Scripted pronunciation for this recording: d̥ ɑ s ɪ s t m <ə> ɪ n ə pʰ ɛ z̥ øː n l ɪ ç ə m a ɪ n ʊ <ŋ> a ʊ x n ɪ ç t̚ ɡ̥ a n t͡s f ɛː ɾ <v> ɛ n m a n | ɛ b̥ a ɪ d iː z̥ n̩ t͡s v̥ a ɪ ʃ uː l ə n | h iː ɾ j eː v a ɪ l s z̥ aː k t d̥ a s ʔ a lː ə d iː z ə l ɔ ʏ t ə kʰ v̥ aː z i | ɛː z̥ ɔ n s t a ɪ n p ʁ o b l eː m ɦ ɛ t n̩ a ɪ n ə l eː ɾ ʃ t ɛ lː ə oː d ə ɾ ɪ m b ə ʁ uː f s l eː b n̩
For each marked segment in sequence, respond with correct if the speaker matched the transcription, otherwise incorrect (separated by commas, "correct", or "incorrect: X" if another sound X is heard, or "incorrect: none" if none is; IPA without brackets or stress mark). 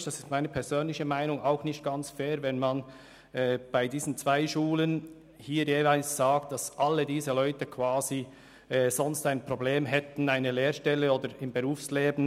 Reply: incorrect: a, correct, correct